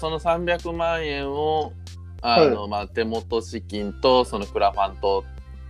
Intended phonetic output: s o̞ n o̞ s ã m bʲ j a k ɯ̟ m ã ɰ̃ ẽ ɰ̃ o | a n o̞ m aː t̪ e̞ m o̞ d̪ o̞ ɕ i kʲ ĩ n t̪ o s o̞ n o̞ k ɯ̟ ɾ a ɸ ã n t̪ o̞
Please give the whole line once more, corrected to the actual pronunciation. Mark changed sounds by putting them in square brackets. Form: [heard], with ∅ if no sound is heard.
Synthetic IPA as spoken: s o̞ n o̞ s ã m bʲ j a k ɯ̟ m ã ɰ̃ ẽ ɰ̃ o | a n o̞ m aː t̪ e̞ m o̞ [t̪] o̞ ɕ i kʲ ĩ n t̪ o s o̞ n o̞ k ɯ̟ ɾ a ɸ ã n t̪ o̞